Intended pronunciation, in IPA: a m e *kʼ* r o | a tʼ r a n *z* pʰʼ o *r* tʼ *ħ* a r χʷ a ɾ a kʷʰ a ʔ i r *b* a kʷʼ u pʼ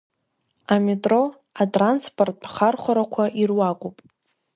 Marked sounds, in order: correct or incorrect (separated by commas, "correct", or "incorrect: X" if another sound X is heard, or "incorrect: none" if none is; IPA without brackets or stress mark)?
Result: incorrect: tʼ, incorrect: s, correct, incorrect: χ, incorrect: w